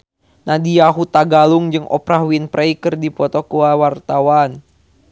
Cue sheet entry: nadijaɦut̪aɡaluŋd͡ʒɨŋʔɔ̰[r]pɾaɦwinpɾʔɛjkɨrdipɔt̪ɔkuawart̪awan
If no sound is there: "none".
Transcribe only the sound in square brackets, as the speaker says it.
none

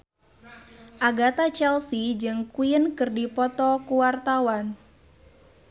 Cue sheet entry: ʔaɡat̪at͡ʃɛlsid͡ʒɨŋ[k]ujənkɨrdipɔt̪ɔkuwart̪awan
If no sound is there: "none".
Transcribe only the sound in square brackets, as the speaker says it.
k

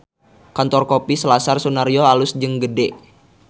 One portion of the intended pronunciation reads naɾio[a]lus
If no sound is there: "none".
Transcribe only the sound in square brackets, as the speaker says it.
a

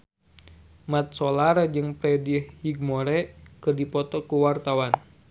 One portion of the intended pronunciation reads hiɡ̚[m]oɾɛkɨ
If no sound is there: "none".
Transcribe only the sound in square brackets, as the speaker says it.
m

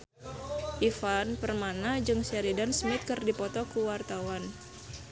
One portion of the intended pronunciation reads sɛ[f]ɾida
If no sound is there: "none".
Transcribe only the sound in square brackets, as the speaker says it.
none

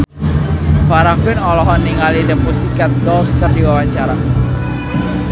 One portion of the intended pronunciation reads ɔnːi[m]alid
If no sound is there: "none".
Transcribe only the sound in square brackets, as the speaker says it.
ŋ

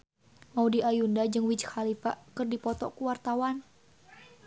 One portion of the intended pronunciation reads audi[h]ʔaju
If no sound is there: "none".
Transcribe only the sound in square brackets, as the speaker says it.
none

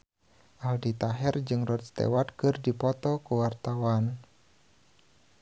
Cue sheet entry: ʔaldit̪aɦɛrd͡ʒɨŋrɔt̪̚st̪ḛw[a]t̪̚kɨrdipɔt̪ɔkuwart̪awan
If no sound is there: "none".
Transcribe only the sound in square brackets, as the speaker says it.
a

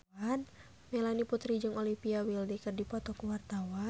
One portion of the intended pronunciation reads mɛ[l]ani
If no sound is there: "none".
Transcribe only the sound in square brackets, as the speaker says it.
l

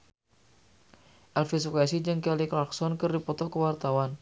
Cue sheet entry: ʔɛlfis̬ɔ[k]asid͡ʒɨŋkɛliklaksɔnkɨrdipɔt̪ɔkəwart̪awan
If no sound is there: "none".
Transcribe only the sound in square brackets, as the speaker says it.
k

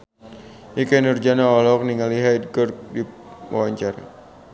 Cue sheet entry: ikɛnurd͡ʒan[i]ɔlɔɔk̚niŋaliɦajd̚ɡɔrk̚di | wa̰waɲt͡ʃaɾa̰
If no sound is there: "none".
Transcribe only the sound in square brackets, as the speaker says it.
a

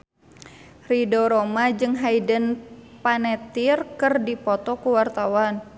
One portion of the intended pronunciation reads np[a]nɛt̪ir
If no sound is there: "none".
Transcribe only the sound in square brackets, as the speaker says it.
a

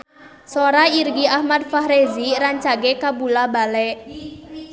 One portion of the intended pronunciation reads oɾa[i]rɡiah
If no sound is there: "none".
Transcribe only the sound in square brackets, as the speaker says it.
i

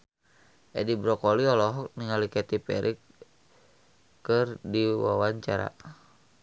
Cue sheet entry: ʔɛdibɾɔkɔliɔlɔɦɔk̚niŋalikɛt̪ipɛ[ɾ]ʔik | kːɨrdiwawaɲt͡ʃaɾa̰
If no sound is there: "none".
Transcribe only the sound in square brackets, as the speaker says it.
ɾ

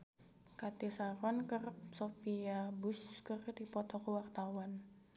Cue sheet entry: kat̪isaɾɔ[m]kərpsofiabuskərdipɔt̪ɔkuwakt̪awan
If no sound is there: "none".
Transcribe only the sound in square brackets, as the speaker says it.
n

